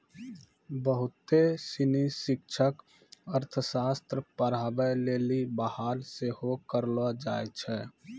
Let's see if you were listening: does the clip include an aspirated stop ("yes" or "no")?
yes